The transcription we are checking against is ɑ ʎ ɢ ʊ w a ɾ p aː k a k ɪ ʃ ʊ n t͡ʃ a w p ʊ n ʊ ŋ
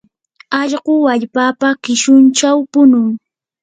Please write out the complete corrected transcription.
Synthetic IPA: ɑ ʎ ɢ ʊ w a ʎ p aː p a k ɪ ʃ ʊ n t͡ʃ a w p ʊ n ʊ ŋ